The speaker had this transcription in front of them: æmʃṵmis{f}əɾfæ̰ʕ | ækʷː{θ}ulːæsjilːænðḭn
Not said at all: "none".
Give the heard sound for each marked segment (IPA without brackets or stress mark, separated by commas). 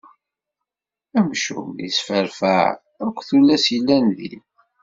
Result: f, θ